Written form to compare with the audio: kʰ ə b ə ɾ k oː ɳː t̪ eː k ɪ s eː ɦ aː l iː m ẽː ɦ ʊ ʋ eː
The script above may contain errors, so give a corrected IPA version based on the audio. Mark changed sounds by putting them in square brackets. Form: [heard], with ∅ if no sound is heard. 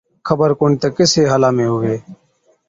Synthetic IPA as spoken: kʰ ə b ə ɾ k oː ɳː t̪ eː k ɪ s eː ɦ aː l [aː] m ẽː ɦ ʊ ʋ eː